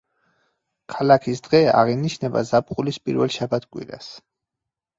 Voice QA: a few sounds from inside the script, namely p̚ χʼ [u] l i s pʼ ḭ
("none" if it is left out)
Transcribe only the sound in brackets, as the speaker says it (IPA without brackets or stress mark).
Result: u